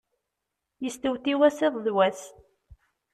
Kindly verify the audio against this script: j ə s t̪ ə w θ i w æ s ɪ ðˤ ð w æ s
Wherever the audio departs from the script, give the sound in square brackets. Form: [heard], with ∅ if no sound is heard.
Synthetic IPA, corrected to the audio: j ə s t̪ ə w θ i w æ s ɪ ðˤ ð w æ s